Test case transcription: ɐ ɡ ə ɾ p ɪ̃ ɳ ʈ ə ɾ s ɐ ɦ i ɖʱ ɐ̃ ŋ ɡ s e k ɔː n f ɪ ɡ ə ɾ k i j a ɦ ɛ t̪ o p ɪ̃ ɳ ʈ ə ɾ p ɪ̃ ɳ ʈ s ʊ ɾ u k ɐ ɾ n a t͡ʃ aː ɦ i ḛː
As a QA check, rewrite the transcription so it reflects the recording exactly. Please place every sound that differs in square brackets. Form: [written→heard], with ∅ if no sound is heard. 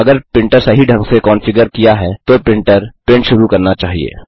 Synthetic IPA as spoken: ɐ ɡ ə ɾ p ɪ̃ ɳ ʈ ə ɾ s ɐ ɦ i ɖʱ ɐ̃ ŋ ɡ s e k ɔː n f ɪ ɡ ə ɾ k i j a ɦ ɛ t̪ o p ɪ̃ ɳ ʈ ə ɾ p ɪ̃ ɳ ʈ [s→ʃ] ʊ ɾ u k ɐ ɾ n a t͡ʃ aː ɦ i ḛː